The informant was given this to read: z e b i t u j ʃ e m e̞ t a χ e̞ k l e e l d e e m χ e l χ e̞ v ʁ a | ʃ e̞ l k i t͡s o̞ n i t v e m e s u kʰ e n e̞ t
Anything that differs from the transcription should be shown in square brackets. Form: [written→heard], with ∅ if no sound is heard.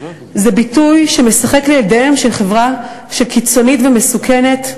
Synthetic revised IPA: z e b i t u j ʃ e m e̞ [t→s] a χ e̞ k l e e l d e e m [χ→ʃ] e l χ e̞ v ʁ a | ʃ e̞ l k i t͡s o̞ n i t v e m e s u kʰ e n e̞ t